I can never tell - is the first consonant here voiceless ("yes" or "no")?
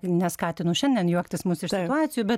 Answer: no